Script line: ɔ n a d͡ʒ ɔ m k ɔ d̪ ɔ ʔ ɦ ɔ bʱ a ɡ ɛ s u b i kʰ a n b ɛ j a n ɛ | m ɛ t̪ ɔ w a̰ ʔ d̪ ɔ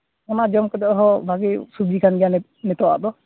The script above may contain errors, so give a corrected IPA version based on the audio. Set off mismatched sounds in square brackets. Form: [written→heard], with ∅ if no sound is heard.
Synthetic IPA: ɔ n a d͡ʒ ɔ m k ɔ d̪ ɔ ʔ ɦ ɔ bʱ a ɡ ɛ s u b i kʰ a n [b→ɡ] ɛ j a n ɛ | [m→n] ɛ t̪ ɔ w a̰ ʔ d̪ ɔ